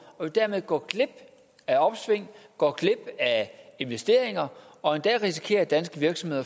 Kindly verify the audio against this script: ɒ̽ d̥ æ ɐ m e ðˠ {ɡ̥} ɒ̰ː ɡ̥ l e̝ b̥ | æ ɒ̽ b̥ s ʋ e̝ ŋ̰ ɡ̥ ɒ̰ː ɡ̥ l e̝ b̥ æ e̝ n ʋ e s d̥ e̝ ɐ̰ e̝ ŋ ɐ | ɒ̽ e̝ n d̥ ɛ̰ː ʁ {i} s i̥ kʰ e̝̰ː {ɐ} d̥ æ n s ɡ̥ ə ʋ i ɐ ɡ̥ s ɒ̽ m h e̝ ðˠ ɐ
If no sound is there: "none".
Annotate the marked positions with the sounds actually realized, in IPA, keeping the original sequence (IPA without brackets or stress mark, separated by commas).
ɡ̥, i, ɐ